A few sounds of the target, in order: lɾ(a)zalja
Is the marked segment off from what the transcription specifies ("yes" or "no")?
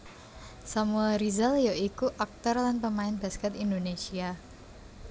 yes